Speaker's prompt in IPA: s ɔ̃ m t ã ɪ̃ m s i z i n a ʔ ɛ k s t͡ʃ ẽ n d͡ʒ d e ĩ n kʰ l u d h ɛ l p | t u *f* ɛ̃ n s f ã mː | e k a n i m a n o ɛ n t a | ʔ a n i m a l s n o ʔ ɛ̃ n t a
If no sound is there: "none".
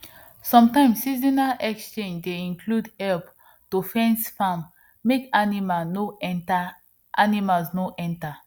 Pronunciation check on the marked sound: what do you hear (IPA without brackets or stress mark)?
f